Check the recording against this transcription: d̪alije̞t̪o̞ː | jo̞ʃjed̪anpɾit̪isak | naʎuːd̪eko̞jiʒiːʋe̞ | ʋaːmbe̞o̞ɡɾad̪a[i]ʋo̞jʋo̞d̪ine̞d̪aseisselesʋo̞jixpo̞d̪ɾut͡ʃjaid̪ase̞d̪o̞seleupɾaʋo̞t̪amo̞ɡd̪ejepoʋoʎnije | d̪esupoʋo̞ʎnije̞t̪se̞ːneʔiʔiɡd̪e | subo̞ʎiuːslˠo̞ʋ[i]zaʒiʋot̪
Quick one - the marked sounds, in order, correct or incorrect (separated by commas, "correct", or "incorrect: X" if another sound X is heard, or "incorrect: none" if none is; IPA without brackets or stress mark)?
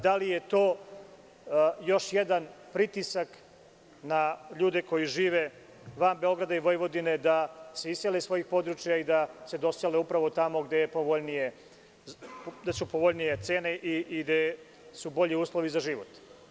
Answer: correct, correct